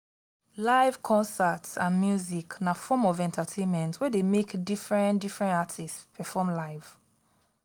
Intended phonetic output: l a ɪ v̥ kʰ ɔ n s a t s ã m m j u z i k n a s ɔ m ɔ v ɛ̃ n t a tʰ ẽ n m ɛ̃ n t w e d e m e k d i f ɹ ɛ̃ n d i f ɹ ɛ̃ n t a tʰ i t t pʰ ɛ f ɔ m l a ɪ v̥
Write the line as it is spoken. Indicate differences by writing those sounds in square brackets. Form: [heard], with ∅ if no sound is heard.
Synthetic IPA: l a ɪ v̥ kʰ [ɔ̃] n s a t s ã [n] m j u z i k n a [f] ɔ m ɔ v ɛ̃ n t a tʰ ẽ n m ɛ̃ n t w [ɛ] d e m e k d i f ɹ ɛ̃ n d i f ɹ ɛ̃ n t a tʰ i [s] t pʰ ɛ f ɔ m l a ɪ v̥